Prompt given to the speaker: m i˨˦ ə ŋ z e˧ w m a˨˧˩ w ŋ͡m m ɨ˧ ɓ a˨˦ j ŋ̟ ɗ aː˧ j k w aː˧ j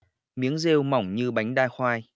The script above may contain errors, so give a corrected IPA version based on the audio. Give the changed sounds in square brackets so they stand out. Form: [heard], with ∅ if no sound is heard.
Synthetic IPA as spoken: m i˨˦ ə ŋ z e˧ w m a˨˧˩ w ŋ͡m [ɲ] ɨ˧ ɓ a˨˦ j ŋ̟ ɗ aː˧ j [x] w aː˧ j